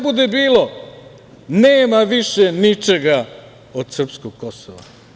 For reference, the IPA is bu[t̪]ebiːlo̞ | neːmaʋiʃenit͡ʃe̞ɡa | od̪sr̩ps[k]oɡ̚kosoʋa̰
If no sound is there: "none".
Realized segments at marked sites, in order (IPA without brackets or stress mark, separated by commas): d̪, k